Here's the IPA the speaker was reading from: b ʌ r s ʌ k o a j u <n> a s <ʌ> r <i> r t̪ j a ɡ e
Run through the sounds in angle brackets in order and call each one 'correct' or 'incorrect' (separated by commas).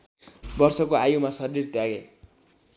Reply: incorrect, correct, correct